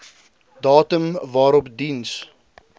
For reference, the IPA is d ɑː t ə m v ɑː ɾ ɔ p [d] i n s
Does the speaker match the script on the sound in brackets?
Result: yes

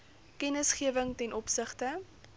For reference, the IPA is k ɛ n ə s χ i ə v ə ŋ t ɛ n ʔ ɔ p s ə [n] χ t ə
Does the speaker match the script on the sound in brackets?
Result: no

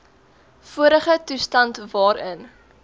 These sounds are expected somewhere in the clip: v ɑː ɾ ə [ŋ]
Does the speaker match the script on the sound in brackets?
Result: no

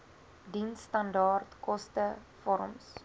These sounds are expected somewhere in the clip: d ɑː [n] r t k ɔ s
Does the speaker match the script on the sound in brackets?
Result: no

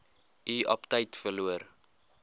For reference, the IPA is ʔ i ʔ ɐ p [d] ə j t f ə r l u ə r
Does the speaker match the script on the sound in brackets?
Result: no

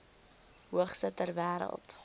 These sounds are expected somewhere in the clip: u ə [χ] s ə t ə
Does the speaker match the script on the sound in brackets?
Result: yes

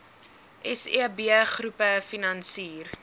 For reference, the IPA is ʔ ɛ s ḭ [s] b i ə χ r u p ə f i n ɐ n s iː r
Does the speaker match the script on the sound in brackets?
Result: no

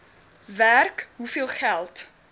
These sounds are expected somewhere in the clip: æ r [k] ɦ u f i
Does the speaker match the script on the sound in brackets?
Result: yes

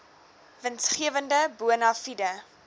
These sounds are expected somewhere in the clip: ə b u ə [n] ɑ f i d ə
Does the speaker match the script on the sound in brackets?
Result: yes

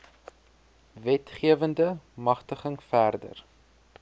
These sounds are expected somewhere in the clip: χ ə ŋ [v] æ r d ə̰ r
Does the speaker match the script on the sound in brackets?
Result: no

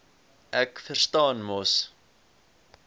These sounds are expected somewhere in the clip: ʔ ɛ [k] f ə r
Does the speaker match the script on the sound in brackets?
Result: yes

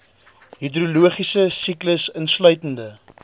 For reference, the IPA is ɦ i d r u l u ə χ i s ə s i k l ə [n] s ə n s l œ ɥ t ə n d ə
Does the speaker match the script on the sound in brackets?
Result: no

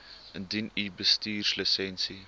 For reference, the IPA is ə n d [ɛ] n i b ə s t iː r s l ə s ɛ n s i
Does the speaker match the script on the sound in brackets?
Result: no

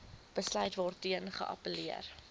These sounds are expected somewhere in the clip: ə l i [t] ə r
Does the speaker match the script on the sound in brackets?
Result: no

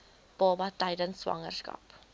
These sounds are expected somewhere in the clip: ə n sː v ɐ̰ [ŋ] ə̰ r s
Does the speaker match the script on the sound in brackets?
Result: yes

